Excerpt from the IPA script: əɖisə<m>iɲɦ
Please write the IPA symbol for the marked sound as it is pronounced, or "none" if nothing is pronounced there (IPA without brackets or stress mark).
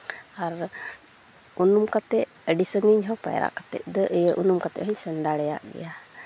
ŋ